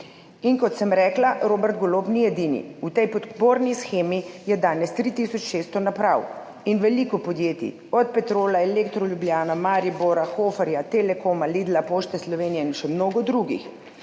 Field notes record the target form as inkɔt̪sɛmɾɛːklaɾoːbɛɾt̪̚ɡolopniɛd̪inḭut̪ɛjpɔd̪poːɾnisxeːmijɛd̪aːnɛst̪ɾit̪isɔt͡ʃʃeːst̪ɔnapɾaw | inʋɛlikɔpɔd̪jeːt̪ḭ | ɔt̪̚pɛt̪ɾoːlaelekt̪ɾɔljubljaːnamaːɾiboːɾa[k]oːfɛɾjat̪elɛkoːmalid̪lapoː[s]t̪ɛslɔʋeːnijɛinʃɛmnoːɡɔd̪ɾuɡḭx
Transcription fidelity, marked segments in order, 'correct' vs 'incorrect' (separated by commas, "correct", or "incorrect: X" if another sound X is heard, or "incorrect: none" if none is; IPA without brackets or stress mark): incorrect: x, incorrect: ʃ